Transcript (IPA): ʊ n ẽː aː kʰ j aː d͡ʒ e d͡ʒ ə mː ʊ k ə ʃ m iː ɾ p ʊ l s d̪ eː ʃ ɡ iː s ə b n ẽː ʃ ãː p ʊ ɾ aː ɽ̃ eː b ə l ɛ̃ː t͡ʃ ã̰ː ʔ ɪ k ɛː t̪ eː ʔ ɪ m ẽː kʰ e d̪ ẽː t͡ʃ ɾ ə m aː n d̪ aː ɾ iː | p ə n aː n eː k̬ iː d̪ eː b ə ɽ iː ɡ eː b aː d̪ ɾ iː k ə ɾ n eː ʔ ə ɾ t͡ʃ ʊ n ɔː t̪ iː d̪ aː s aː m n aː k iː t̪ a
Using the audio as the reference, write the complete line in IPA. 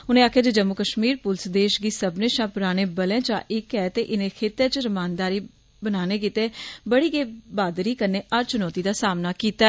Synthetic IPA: ʊ n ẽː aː kʰ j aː d͡ʒ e d͡ʒ ə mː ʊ k ə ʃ m iː ɾ p ʊ l s d̪ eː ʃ ɡ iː s ə b n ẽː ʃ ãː p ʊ ɾ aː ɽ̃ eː b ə l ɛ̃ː t͡ʃ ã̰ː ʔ ɪ k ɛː t̪ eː ʔ ɪ n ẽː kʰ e t̪ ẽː t͡ʃ ɾ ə m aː n d̪ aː ɾ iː | b ə n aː n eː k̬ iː t̪ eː b ə ɽ iː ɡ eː b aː d̪ ɾ iː k ə ɾ n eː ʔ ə ɾ t͡ʃ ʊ n ɔː t̪ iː d̪ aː s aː m n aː k iː t̪ a